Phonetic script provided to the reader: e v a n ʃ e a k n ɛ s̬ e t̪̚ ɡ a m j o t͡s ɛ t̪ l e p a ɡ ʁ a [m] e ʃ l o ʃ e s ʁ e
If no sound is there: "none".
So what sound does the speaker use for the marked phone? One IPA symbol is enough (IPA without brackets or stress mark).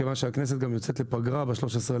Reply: b